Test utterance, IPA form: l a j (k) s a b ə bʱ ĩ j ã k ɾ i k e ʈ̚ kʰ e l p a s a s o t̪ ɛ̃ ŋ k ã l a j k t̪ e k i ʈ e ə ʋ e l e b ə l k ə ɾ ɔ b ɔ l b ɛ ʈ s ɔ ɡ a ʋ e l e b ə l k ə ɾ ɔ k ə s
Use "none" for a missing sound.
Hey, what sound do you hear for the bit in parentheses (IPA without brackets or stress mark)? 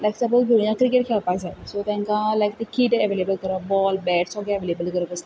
k